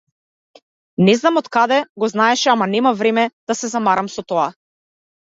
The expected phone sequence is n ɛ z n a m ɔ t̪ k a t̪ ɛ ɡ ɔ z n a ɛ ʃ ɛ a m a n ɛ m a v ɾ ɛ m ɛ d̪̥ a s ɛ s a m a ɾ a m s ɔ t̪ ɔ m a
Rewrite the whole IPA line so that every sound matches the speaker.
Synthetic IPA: n ɛ z n a m ɔ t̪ k a d̪ ɛ ɡ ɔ z n a ɛ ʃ ɛ a m a n ɛ m a v ɾ ɛ m ɛ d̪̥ a s ɛ z a m a ɾ a m s ɔ t̪ ɔ a